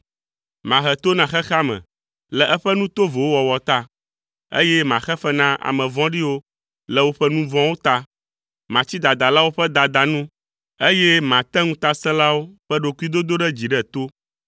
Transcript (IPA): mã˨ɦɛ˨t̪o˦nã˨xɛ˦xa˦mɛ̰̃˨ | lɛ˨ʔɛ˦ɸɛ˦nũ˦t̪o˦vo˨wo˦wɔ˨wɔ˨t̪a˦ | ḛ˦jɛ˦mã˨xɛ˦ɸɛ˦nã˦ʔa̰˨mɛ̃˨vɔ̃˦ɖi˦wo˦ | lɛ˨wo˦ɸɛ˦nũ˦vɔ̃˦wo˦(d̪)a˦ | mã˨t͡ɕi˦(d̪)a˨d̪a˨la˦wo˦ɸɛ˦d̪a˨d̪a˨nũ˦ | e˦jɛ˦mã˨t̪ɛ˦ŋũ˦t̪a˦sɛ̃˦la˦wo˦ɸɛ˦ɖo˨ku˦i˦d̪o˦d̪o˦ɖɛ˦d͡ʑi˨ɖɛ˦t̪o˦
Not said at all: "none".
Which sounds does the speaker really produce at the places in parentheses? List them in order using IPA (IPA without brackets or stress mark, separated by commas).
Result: t̪, d̪